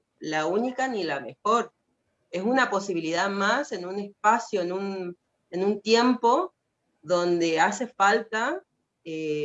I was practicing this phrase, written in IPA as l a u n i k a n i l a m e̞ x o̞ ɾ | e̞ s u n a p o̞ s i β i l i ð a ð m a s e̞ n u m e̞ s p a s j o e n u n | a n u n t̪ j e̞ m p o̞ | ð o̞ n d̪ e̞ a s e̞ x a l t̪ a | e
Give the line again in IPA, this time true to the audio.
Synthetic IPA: l a u n i k a n i l a m e̞ x o̞ ɾ | e̞ s u n a p o̞ s i β i l i ð a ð m a s e̞ n u n e̞ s p a s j o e n u n | e n u n t̪ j e̞ m p o̞ | ð o̞ n d̪ e̞ a s e̞ f a l t̪ a | e